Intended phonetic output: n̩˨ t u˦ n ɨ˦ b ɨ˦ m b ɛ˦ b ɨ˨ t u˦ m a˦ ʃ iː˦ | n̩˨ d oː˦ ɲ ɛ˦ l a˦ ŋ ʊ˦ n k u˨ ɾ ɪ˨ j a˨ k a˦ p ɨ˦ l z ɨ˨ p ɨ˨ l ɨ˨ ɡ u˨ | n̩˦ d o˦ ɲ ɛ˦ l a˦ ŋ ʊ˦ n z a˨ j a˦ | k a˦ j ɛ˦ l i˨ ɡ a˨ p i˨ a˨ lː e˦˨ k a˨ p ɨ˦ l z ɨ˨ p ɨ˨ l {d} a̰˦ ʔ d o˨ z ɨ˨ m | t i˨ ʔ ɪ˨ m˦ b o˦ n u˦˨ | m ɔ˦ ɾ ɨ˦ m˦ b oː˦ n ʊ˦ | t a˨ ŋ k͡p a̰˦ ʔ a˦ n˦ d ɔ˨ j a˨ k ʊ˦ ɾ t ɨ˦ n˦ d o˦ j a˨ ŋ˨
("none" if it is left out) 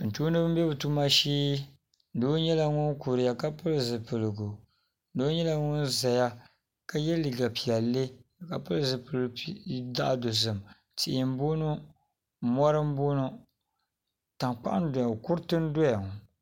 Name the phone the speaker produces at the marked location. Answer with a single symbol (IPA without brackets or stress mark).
d